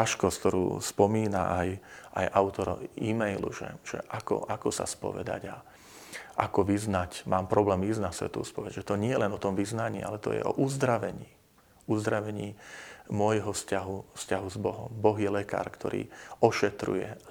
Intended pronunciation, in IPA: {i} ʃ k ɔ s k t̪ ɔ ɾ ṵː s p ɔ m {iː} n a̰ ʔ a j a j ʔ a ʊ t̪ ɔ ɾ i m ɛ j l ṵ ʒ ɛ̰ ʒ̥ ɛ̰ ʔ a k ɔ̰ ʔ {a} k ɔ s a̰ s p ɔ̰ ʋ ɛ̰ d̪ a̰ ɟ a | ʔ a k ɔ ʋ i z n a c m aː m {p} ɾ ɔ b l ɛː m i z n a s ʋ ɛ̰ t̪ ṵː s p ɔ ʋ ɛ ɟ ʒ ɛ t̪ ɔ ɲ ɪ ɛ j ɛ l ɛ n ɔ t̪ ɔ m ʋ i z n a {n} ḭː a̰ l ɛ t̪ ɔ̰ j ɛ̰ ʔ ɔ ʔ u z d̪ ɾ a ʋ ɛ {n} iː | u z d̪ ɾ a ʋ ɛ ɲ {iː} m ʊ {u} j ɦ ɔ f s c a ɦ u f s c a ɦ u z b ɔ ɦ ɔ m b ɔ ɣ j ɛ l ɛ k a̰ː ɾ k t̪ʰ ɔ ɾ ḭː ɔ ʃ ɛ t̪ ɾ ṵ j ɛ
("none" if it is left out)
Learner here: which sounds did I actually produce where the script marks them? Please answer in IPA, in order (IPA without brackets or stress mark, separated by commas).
a, iː, a, p, ɲ, ɲ, iː, ɔ